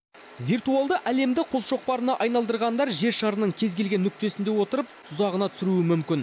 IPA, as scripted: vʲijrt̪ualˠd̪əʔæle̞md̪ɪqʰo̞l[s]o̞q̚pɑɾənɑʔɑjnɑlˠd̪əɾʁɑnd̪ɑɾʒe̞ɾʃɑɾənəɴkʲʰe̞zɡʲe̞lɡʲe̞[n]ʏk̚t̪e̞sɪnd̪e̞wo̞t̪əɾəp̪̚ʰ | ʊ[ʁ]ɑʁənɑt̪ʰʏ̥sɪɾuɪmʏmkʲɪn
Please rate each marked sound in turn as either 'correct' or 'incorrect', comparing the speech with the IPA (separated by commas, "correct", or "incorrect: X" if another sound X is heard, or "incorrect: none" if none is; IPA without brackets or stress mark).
incorrect: ʃ, incorrect: nː, incorrect: z